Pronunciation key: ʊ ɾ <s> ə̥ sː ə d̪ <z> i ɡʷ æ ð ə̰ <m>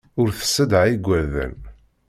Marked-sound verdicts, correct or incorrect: incorrect, incorrect, incorrect

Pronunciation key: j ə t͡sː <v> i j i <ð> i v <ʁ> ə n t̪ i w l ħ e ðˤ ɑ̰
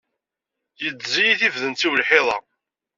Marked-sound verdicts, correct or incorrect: incorrect, incorrect, incorrect

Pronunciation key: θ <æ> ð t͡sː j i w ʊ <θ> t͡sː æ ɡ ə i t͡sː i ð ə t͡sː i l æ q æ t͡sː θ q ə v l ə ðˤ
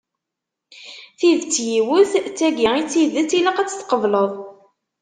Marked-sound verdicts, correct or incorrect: incorrect, correct

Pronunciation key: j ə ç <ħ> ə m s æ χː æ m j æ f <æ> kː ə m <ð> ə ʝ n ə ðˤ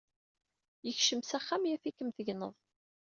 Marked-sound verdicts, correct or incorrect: incorrect, incorrect, incorrect

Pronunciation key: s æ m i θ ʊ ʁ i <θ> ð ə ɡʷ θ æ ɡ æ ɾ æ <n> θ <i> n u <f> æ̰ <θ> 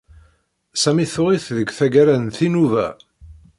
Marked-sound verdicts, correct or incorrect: correct, correct, correct, incorrect, incorrect

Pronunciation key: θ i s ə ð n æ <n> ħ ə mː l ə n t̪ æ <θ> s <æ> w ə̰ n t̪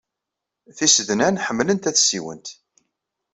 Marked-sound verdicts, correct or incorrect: correct, correct, incorrect

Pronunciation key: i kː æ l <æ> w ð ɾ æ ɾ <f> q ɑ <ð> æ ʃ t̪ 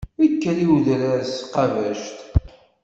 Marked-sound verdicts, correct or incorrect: incorrect, incorrect, incorrect

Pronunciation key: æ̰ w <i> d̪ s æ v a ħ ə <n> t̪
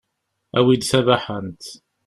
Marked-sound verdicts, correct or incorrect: correct, correct

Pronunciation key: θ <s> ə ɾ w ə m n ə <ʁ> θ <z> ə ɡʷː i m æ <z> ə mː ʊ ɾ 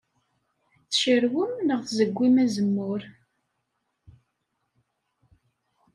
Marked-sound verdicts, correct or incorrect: incorrect, correct, correct, correct

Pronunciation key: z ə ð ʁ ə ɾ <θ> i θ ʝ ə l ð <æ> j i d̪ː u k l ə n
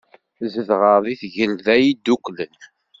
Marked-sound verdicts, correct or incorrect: incorrect, correct

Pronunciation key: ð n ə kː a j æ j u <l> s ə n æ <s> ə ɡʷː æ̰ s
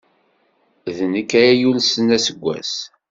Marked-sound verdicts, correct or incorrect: correct, correct

